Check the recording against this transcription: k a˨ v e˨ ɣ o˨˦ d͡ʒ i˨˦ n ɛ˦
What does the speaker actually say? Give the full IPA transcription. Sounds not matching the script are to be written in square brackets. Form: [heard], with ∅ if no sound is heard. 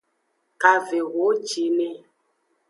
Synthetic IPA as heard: k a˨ v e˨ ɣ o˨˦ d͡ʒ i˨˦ n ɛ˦